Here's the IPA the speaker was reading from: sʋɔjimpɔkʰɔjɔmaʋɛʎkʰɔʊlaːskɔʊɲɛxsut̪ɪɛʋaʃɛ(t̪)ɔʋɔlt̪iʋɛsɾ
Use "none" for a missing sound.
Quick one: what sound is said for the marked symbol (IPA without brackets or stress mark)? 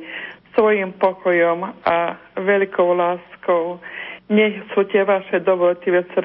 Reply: d̪